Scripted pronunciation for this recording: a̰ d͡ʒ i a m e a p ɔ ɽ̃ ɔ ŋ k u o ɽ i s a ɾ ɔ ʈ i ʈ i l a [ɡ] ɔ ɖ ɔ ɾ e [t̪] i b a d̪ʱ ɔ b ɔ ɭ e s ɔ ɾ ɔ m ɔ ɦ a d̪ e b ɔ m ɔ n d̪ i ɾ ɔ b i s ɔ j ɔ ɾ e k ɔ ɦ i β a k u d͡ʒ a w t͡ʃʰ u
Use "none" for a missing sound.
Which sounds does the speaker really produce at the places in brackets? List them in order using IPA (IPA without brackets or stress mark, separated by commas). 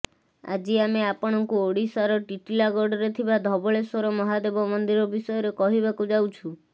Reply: ɡ, t̪ʰ